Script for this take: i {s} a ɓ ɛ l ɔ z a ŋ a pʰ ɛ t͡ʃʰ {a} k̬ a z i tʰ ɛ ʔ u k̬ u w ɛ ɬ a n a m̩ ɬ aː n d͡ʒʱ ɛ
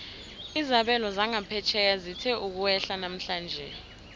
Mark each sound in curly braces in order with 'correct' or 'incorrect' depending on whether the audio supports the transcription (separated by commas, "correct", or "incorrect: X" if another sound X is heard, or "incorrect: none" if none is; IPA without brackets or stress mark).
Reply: incorrect: z, incorrect: ɛ